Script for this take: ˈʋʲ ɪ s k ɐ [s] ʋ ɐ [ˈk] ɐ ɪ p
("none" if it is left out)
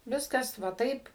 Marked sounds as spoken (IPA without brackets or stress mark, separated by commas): s, t